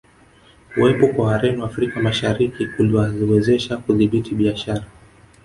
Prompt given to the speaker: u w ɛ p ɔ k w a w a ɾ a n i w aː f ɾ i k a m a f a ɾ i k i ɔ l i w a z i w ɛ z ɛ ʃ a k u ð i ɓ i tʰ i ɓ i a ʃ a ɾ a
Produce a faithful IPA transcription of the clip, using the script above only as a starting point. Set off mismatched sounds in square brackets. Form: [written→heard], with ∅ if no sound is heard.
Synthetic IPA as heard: u w ɛ p ɔ k w a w a ɾ [a→ɛ] n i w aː f ɾ i k a m a [f→ʃ] a ɾ i k i [ɔ→u] l i w a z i w ɛ z ɛ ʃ a k u ð i ɓ i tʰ i ɓ i a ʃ a ɾ a